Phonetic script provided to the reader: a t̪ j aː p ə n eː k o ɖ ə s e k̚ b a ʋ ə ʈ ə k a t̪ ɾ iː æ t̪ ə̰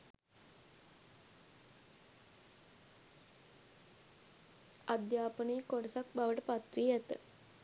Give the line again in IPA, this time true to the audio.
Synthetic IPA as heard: a d̪ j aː p ə n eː k o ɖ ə s a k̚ b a ʋ ə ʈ ə p a t̪ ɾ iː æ t̪ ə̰